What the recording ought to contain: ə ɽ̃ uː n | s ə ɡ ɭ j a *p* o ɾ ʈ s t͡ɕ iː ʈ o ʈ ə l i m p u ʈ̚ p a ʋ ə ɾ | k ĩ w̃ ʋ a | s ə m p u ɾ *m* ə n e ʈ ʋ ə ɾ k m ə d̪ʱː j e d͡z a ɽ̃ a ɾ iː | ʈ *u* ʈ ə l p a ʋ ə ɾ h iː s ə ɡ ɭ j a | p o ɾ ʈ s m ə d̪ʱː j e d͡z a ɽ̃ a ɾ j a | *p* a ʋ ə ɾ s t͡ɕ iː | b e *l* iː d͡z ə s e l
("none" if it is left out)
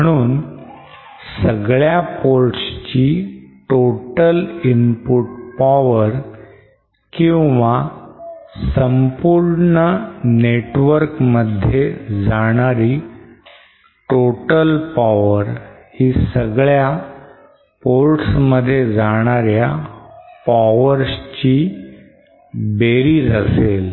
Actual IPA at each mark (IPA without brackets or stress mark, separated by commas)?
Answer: p, ɳ, o, p, ɾ